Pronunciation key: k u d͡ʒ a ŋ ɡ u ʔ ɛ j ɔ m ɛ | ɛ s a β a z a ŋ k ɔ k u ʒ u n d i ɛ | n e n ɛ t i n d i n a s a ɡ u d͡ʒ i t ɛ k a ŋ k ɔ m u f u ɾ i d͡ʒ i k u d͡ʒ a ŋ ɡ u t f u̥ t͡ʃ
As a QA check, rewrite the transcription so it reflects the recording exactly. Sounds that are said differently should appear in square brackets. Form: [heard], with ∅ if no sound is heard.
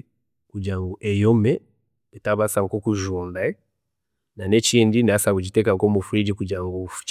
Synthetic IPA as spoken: k u d͡ʒ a ŋ ɡ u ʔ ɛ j ɔ m ɛ | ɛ [t] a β a [s] a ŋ k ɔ k u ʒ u n d [a] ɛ | n [a] n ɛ [t͡ʃ] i n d i n a s a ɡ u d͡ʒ i t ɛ k a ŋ k ɔ m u f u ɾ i d͡ʒ i k u d͡ʒ a ŋ ɡ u [∅] f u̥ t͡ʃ